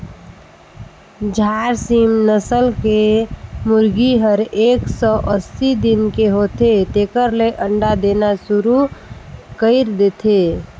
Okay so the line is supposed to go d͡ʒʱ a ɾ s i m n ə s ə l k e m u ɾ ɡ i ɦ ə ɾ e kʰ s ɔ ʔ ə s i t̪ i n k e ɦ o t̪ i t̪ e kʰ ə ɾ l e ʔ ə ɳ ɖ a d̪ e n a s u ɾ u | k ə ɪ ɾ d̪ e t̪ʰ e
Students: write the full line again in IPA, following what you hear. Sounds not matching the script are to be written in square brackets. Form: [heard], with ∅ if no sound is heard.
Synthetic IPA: d͡ʒʱ a ɾ s i m n ə s ə l k e m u ɾ ɡ i ɦ ə ɾ e [k] s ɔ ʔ ə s i [d̪] i n k e ɦ o t̪ [e] t̪ e [k] ə ɾ l e ʔ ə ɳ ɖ a d̪ e n a s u ɾ u | k ə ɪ ɾ d̪ e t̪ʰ e